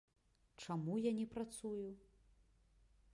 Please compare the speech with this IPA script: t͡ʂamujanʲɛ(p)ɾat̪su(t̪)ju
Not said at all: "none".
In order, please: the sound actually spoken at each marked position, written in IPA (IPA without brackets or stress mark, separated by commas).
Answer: p, none